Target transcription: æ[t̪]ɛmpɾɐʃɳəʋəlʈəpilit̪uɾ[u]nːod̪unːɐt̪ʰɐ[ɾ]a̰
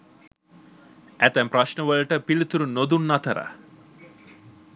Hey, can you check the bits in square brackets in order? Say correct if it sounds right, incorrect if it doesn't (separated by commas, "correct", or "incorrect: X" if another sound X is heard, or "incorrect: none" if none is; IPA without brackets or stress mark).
correct, correct, correct